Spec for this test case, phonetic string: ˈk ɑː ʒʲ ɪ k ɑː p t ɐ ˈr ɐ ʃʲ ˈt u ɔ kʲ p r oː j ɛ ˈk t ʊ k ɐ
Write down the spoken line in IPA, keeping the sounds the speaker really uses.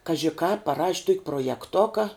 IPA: ˈk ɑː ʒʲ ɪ k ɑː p p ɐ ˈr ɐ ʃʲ ˈt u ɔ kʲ p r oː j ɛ ˈk t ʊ k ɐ